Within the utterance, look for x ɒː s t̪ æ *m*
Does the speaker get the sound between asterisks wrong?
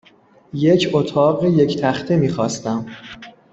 no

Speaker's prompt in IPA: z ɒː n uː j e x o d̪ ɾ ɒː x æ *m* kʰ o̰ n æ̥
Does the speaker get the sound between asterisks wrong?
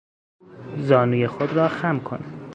no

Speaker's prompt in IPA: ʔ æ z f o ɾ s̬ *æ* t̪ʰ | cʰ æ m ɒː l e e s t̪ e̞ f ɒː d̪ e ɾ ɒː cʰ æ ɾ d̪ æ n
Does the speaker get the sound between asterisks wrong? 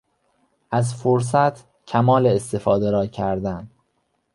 no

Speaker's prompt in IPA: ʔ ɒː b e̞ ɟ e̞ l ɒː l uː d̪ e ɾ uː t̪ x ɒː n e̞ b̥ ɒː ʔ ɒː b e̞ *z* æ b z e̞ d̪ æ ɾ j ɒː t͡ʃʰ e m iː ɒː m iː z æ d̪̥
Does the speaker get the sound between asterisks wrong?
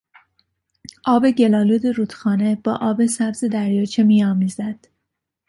yes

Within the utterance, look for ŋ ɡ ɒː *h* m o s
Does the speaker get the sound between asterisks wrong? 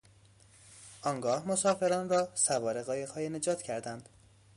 no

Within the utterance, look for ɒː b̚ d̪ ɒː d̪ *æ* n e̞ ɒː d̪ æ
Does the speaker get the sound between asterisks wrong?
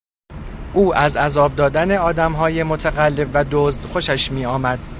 no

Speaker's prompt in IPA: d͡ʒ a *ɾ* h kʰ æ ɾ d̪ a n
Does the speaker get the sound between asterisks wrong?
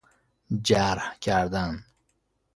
no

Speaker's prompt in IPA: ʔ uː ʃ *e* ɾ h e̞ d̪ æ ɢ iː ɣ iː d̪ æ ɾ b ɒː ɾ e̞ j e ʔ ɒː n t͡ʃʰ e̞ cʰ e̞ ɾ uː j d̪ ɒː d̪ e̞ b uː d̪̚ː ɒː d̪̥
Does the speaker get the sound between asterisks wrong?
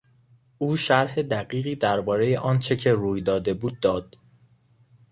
yes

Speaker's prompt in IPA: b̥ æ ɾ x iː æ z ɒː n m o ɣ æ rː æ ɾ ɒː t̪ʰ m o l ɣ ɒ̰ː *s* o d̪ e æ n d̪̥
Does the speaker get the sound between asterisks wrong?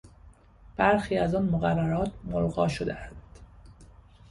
yes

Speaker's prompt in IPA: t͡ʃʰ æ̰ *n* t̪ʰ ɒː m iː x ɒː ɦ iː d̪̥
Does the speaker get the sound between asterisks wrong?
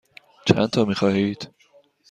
no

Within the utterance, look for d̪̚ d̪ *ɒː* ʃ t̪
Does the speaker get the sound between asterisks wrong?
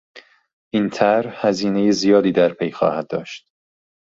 no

